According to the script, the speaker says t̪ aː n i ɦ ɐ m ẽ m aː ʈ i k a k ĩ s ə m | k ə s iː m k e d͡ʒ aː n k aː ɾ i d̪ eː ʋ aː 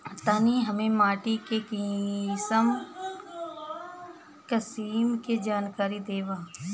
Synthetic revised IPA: t̪ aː n i ɦ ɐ m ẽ m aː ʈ i k e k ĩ s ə m | k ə s iː m k e d͡ʒ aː n k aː ɾ i d̪ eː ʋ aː